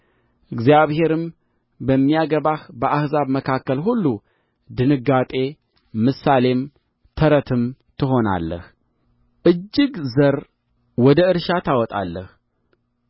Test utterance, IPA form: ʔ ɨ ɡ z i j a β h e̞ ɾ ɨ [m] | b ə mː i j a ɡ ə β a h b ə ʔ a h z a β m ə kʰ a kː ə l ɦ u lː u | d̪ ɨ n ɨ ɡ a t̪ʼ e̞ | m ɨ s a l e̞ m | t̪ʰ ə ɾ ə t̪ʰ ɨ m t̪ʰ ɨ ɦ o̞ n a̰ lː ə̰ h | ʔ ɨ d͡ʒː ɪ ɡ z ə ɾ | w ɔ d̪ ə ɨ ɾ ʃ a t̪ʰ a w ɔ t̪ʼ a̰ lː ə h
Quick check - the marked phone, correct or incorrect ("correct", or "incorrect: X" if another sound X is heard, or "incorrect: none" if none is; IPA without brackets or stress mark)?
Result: correct